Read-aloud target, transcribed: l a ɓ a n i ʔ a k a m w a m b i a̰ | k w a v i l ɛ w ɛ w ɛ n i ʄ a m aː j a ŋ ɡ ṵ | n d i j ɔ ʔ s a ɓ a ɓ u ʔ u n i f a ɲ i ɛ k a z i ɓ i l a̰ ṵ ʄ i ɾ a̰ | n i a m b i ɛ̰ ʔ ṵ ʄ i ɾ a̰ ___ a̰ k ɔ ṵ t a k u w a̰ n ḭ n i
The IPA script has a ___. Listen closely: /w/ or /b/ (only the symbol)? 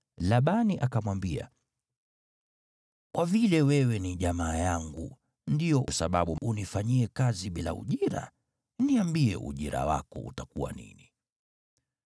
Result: w